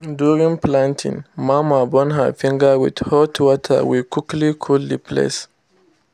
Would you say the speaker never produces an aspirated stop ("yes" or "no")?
no